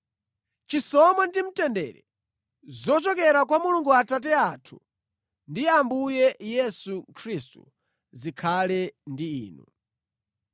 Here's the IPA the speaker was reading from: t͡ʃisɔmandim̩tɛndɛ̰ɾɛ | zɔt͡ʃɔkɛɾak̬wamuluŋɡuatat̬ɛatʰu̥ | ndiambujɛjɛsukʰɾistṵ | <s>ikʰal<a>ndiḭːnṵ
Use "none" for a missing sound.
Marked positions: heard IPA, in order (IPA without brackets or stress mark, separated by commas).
z, ɛ